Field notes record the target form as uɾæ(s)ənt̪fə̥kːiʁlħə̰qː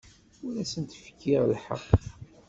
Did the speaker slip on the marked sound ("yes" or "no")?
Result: no